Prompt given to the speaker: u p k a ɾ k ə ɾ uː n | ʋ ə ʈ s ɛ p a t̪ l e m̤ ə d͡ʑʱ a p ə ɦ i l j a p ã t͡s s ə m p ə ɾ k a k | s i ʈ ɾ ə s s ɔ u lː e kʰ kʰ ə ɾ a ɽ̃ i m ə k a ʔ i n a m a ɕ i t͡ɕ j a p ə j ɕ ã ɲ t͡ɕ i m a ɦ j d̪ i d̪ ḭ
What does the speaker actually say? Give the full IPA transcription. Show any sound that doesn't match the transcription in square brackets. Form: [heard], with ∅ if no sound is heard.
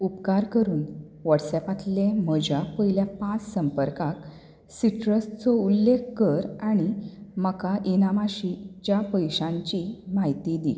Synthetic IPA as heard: u p k a ɾ k ə ɾ uː n | ʋ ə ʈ s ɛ p a t̪ l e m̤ ə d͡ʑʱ a p ə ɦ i l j a p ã t͡s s ə m p ə ɾ k a k | s i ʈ ɾ ə s [t͡s] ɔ u lː e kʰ [k] ə ɾ a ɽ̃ i m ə k a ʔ i n a m a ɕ i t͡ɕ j a p ə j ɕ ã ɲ t͡ɕ i m a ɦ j [t̪] i d̪ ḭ